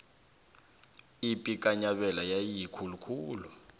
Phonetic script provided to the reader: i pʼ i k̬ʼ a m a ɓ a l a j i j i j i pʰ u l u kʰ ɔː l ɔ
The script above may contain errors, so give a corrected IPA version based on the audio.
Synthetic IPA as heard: i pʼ i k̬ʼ a ɲ a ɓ ɛ l a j a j i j i kʰ u l u kʰ uː l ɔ

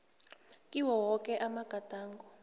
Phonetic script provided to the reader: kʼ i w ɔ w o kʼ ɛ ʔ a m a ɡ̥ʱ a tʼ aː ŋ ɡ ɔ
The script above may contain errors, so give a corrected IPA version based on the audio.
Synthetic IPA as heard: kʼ i w ɔ w ɔ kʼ ɛ ʔ a m a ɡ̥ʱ a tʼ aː ŋ ɡ ɔ

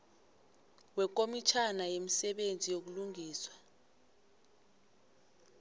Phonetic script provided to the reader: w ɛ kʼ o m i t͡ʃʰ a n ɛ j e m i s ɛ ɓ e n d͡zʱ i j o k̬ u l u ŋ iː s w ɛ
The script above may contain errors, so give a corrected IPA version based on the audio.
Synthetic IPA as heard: w ɛ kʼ o m i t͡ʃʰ a n a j e m i s ɛ ɓ e n d͡zʱ i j o k̬ u l u ŋ iː s w a

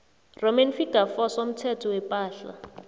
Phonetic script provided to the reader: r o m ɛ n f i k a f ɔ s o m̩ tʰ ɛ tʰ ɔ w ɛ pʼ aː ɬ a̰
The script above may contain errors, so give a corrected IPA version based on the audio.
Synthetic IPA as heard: r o m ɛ n f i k a f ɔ s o m̩ tʰ ɛ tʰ ɔ w ɛ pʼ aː ɬ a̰

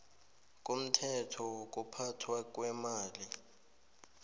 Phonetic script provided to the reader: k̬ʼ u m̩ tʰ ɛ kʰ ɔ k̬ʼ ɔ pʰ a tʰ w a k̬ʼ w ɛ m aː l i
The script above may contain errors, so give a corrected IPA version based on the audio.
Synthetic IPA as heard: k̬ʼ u m̩ tʰ ɛ tʰ ɔ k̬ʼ u pʰ a tʰ w a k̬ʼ w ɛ m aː l i

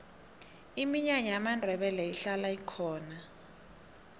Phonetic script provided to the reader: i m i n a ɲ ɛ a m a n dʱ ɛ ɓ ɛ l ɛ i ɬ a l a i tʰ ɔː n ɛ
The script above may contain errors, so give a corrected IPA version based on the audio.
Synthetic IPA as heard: i m i ɲ a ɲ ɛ a m a n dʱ ɛ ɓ ɛ l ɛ i ɬ a l a i kʰ ɔː n a

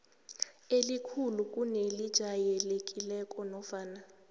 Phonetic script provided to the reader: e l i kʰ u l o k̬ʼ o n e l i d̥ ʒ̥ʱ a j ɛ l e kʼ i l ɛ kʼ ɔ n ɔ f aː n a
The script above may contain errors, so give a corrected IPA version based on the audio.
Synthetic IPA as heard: e l i kʰ u l u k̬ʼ u n e l i d̥ ʒ̥ʱ a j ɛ l e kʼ i l ɛ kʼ ɔ n ɔ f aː n a

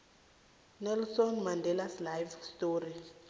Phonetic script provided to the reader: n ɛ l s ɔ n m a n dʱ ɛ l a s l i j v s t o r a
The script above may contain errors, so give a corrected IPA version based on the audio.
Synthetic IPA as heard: n ɛ l s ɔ n m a n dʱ ɛ l a s l a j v s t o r i

